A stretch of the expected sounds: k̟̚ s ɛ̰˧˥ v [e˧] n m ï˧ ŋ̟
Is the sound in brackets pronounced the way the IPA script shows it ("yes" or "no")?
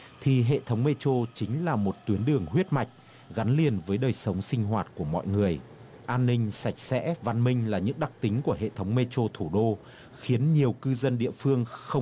no